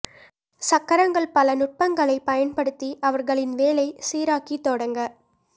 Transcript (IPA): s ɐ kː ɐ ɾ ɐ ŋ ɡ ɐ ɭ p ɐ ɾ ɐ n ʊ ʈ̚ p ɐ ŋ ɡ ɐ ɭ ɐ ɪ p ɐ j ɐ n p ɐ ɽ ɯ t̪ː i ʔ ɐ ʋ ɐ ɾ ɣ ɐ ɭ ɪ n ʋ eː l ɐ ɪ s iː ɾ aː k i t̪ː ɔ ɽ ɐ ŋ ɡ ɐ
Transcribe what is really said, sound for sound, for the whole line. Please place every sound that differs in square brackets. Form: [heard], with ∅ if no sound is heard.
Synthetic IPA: s ɐ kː ɐ ɾ ɐ ŋ ɡ ɐ ɭ p ɐ [l] ɐ n ʊ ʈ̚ p ɐ ŋ ɡ ɐ ɭ ɐ ɪ p ɐ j ɐ n p ɐ ɽ ɯ t̪ː i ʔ ɐ ʋ ɐ ɾ ɣ ɐ ɭ ɪ n ʋ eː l ɐ ɪ s iː ɾ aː k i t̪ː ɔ ɽ ɐ ŋ ɡ ɐ